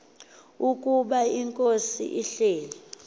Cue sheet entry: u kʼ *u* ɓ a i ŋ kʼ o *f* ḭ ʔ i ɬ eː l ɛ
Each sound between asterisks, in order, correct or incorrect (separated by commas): correct, incorrect